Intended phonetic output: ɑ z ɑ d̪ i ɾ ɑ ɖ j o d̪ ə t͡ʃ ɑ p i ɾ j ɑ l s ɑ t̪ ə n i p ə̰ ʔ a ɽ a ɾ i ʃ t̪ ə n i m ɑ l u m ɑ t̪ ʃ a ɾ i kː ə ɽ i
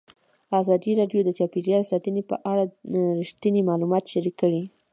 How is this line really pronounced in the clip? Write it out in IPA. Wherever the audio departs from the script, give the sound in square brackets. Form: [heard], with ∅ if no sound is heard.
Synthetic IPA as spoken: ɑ z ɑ d̪ i ɾ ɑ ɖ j o d̪ ə t͡ʃ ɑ p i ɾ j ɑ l s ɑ t̪ ə n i p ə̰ ʔ a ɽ a ɾ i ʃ t̪ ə n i m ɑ l u m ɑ t̪ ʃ a ɾ i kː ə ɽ i